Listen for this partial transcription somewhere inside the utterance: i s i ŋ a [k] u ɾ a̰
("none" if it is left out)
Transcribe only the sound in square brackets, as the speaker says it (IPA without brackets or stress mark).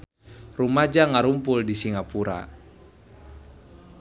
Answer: p